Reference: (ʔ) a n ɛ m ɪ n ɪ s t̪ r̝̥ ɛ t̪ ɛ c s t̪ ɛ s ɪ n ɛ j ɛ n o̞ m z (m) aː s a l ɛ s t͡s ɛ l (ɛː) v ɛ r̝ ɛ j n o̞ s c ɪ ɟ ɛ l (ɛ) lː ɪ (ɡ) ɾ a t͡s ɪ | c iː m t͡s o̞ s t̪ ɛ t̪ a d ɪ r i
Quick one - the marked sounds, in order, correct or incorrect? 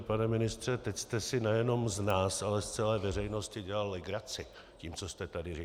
incorrect: p, incorrect: n, correct, incorrect: a, correct

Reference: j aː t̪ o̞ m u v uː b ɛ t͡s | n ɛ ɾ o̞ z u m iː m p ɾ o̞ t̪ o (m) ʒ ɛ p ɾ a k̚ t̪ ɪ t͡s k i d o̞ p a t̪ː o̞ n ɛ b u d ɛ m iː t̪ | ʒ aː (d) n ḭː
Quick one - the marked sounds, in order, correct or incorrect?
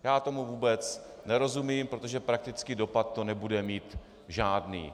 incorrect: none, correct

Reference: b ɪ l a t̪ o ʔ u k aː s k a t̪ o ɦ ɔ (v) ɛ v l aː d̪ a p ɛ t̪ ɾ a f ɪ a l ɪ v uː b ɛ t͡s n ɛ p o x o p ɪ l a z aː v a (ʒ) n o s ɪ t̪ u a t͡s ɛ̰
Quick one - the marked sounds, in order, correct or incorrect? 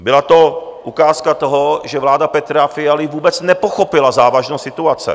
incorrect: ʒ, correct

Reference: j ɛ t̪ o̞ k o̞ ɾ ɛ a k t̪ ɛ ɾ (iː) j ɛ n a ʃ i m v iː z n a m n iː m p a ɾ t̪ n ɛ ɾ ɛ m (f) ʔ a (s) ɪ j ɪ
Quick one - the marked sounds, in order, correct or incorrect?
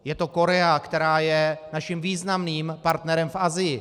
incorrect: aː, correct, incorrect: z

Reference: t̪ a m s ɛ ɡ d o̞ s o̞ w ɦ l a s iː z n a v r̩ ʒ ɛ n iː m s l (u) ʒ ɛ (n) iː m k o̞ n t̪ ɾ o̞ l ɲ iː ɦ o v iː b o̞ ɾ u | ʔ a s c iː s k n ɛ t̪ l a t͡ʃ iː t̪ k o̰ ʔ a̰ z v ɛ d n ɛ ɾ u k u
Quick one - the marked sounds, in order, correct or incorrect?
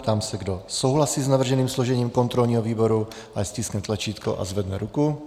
incorrect: o, incorrect: ɲ

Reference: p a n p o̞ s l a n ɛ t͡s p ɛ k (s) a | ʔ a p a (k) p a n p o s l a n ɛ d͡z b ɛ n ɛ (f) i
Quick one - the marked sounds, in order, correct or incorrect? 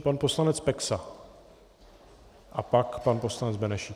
correct, correct, incorrect: ʃ

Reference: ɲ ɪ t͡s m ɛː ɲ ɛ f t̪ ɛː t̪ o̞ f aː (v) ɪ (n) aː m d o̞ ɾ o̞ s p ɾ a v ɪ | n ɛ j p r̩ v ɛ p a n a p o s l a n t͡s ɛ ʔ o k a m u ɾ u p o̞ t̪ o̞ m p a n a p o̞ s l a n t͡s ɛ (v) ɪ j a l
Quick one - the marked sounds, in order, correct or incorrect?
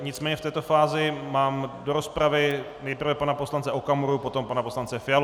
incorrect: z, incorrect: m, incorrect: f

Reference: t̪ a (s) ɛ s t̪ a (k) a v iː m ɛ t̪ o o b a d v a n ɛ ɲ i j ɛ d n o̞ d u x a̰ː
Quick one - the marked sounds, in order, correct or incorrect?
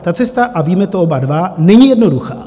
incorrect: t͡s, incorrect: ʔ

